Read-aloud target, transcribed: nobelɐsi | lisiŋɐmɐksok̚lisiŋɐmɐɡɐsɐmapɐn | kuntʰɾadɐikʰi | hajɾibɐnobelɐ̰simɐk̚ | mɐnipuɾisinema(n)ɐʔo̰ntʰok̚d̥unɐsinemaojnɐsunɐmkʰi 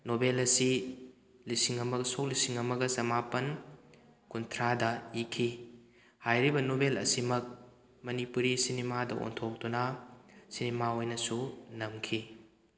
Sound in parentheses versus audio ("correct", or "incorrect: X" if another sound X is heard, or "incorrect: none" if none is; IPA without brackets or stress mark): incorrect: d